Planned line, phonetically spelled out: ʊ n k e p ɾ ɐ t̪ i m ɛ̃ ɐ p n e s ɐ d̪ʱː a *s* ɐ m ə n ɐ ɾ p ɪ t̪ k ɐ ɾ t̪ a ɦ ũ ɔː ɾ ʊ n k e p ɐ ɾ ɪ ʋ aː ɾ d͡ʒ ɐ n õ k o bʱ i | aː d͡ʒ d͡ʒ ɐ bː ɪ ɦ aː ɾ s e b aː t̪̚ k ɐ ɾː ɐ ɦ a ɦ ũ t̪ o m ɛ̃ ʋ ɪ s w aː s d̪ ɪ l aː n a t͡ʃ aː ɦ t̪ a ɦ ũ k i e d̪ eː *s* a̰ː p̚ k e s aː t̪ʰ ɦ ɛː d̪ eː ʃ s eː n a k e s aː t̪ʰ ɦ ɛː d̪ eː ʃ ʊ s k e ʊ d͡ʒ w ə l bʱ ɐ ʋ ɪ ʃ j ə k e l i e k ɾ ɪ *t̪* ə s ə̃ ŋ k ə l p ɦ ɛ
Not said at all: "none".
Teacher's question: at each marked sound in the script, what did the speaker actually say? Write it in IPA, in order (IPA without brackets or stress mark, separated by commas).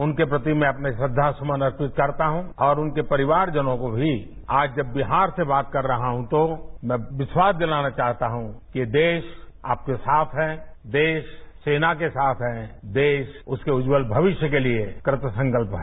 s, ʃ, t̪